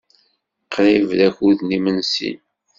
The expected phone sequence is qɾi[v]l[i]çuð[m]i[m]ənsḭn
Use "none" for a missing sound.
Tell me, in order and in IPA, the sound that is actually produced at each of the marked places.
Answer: v, æ, n, m

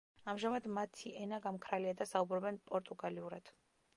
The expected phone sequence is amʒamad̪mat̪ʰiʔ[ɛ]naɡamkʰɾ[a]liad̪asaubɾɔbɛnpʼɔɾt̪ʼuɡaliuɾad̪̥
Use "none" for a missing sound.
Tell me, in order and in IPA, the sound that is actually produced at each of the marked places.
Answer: ɛ, a

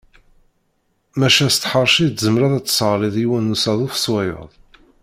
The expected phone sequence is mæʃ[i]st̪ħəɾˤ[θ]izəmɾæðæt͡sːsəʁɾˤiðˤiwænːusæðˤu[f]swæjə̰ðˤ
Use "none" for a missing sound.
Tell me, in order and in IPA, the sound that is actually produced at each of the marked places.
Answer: æ, ʃ, f

